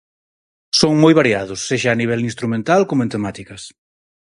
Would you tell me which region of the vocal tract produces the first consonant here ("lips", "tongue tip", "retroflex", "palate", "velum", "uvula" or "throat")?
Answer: tongue tip